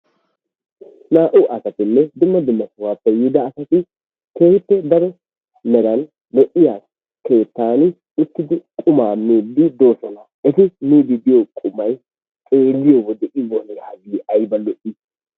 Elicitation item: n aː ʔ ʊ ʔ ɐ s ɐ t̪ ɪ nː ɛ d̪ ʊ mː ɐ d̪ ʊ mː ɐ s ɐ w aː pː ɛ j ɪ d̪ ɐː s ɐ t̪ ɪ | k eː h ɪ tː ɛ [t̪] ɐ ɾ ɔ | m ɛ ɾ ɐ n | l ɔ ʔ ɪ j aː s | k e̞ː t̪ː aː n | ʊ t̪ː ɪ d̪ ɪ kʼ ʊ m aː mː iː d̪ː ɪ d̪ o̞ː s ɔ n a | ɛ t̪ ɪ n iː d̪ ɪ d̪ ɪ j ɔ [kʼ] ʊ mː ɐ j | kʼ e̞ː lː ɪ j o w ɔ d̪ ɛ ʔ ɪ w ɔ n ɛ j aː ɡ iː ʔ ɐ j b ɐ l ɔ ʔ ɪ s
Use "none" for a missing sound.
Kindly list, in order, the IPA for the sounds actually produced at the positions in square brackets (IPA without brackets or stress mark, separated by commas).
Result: d̪, kʼ